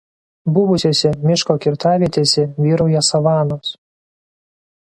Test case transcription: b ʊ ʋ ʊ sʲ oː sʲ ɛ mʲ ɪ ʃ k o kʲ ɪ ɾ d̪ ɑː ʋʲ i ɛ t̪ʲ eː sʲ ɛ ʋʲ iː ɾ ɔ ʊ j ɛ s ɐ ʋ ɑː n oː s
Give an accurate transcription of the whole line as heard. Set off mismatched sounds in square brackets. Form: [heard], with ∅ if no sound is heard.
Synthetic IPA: b ʊ ʋ ʊ sʲ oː sʲ ɛ mʲ ɪ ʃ k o kʲ ɪ ɾ [t̪] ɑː ʋʲ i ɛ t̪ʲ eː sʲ ɛ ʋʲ iː ɾ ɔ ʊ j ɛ s ɐ ʋ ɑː n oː s